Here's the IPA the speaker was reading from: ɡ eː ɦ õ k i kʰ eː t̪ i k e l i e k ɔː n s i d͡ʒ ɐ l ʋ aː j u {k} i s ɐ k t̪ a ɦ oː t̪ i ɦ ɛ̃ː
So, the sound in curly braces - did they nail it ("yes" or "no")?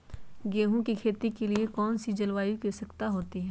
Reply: yes